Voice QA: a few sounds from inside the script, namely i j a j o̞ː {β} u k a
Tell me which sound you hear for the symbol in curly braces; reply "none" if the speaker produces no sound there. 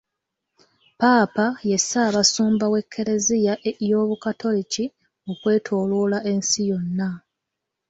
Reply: β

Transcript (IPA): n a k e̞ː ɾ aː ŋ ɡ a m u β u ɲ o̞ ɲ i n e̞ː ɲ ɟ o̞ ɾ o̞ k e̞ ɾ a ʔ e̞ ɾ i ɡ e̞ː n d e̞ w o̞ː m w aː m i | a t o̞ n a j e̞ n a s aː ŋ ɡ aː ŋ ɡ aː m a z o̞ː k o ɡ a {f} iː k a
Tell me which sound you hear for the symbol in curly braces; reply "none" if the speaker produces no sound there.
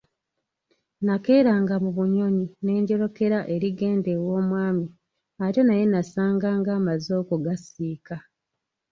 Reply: s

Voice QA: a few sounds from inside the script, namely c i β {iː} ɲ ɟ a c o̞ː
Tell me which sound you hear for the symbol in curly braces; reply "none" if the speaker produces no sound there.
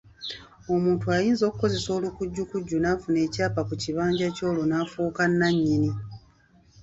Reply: aː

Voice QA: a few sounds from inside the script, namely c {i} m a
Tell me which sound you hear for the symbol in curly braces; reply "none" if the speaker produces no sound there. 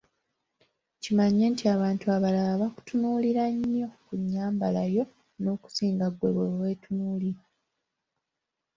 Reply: i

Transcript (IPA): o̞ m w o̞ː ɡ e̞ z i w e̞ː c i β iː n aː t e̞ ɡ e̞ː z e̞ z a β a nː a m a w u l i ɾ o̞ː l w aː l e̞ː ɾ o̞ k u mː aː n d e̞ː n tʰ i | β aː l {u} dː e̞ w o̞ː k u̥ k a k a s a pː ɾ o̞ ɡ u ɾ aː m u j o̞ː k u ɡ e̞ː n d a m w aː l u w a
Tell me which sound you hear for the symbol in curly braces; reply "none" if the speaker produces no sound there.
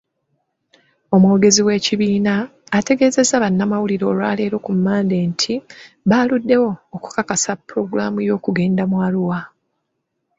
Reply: u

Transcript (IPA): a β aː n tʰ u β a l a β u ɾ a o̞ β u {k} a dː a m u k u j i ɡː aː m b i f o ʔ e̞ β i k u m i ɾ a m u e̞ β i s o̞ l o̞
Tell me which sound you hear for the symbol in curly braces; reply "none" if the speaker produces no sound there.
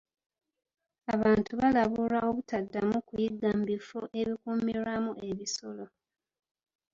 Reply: t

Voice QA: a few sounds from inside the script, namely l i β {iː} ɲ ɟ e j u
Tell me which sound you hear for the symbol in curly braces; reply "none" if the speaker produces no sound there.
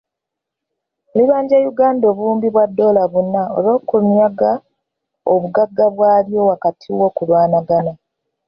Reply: aː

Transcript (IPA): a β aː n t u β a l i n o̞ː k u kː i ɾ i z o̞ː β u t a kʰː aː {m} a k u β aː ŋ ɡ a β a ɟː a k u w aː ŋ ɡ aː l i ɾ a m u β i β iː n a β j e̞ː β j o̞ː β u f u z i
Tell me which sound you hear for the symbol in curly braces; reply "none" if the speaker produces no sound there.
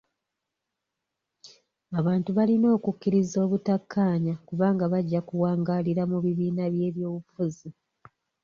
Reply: ɲ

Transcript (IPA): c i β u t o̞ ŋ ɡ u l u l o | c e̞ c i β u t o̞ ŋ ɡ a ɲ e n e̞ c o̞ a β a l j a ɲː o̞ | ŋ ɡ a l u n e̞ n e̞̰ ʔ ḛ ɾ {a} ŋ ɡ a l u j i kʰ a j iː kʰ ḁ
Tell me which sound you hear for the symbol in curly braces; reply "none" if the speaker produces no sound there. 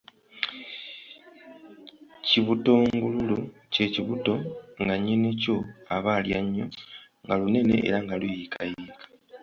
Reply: a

